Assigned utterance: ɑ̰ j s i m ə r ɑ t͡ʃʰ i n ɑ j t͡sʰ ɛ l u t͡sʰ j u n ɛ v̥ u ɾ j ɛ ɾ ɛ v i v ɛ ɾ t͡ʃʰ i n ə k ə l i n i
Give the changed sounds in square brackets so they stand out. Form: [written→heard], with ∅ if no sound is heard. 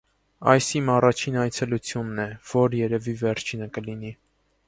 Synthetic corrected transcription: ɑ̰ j s i m [ə→ɑ] r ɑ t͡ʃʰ i n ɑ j t͡sʰ ɛ l u t͡sʰ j u [n→nː] ɛ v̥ [u→ɔ] ɾ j ɛ ɾ ɛ v i v ɛ ɾ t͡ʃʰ i n ə k ə l i n i